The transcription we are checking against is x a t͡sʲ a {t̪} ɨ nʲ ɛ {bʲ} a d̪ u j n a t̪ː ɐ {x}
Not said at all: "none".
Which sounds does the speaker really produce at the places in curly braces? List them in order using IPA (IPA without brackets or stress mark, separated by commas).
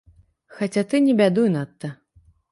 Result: t̪, bʲ, none